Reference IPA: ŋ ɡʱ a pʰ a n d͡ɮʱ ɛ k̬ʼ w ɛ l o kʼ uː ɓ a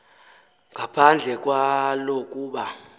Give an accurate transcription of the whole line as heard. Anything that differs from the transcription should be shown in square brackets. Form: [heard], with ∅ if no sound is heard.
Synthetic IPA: ŋ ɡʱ a pʰ a n d͡ɮʱ ɛ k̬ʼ w [a] l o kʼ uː ɓ a